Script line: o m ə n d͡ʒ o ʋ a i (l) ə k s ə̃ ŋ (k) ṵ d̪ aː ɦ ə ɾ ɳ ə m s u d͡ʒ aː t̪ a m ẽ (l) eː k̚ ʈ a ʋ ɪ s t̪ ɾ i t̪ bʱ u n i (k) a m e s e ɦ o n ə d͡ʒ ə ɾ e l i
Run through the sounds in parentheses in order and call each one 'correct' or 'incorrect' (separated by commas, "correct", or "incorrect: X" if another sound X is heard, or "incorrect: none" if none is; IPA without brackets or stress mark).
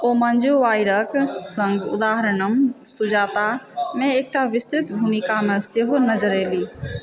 incorrect: ɾ, incorrect: ɡ, incorrect: none, correct